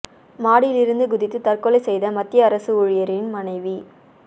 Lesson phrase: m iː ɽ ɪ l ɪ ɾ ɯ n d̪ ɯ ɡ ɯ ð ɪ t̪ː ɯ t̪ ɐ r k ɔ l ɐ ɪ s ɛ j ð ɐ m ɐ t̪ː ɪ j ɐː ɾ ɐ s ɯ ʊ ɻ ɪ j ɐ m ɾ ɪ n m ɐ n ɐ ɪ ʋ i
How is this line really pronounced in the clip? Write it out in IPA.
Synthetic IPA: m aː ɽ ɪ l ɪ ɾ ɯ n d̪ ɯ ɡ ʊ ð ɪ t̪ː ɯ t̪ ɐ r k ɔ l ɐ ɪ s ɛ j ð ɐ m ɐ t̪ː ɪ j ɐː ɾ ɐ s ɯ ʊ ɻ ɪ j ɐ ɾ ɪ n m ɐ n ɐ ɪ ʋ i